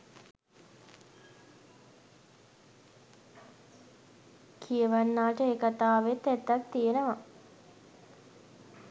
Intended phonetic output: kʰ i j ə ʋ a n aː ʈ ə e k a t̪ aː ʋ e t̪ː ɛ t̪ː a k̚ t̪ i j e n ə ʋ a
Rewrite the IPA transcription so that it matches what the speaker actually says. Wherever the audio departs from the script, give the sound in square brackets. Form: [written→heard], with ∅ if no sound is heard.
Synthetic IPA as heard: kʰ i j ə ʋ a [n→nː] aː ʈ ə e k a t̪ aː ʋ e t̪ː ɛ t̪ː a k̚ t̪ i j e n ə ʋ a